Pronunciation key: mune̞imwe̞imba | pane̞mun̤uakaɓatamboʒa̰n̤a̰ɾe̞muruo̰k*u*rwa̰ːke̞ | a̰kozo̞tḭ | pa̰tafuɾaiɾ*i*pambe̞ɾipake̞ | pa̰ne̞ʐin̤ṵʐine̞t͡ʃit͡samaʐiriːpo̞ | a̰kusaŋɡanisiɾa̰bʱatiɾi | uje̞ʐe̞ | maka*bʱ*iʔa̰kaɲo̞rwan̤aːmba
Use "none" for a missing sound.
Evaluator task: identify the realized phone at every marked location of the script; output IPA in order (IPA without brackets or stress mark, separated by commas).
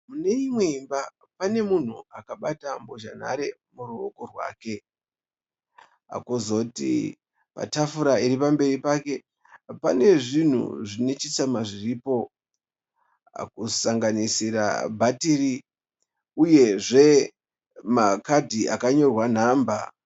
o, i, dʱ